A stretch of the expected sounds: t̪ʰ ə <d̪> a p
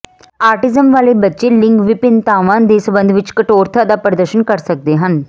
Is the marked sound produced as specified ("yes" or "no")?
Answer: yes